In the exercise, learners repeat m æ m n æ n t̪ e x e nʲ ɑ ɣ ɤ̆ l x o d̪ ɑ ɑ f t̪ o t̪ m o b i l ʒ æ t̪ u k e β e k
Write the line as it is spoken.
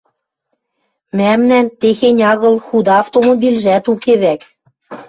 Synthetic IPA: m æ m n æ n t̪ e x e nʲ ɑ ɣ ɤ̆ l x u d̪ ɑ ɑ f t̪ o m o b i l ʒ æ t̪ u k e β æ k